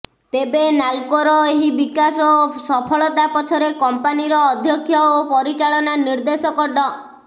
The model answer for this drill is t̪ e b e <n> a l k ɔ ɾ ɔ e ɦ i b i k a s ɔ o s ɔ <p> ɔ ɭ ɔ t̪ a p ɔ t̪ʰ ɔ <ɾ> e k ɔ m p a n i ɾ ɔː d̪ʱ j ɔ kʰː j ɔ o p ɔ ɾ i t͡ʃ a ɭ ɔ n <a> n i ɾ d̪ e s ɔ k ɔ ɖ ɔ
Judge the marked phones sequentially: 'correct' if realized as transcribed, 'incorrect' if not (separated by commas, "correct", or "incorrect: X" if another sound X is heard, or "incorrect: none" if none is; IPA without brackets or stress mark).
correct, incorrect: pʰ, correct, correct